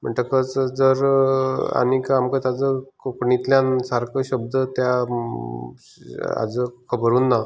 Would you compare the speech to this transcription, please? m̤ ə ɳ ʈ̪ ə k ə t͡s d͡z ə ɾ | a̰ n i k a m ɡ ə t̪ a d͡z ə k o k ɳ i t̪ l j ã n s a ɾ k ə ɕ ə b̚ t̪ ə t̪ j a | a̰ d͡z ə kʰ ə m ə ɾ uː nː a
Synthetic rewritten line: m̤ ə ɳ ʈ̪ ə k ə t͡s d͡z ə ɾ | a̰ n i k a m k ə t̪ a d͡z ə k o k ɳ i t̪ l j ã n s a ɾ k ə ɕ ə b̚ d̪ ə t̪ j a | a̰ d͡z ə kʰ ə b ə ɾ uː nː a